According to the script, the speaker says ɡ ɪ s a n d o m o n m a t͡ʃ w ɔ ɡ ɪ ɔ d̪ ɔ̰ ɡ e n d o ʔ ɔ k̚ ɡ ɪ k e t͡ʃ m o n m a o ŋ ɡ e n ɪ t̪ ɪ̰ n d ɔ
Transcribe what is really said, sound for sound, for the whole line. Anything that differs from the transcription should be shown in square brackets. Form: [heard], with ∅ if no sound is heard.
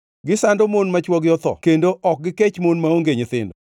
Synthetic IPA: ɡ ɪ s a n d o m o n m a t͡ʃ w ɔ ɡ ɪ ɔ [t̪] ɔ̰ [k] e n d o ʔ ɔ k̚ ɡ ɪ k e t͡ʃ m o n m a o ŋ ɡ e [ɲ] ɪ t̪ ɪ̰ n d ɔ